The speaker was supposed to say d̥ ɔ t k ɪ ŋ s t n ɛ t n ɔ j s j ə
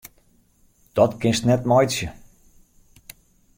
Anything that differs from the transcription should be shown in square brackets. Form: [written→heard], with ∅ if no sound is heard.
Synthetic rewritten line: d̥ ɔ t k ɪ [ŋ→n] s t n ɛ t [n→m] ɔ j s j ə